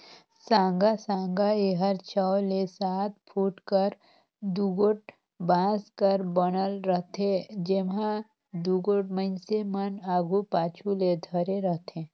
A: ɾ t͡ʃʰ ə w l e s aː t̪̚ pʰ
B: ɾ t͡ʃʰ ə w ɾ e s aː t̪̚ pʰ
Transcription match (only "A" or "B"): A